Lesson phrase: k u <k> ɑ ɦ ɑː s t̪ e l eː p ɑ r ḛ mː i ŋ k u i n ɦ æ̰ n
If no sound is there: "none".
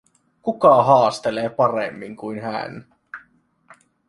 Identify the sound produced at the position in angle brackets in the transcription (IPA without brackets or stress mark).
k